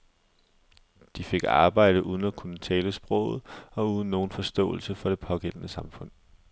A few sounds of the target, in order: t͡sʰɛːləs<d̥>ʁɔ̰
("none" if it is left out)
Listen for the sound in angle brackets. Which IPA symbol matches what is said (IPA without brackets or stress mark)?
b̥